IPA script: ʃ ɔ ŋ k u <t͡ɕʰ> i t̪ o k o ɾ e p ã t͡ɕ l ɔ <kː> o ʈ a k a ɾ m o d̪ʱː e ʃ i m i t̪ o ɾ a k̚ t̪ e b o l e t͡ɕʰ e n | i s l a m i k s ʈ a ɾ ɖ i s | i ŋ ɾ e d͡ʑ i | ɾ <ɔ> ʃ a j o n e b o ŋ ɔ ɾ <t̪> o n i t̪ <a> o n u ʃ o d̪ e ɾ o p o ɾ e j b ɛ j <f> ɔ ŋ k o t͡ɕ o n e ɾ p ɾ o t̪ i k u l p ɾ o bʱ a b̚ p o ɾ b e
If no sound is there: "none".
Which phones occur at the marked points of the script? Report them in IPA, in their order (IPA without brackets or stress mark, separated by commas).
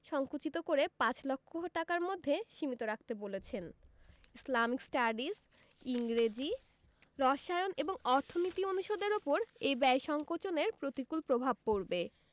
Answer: t͡ɕ, kʰː, ɔ, t̪ʰ, i, ʃ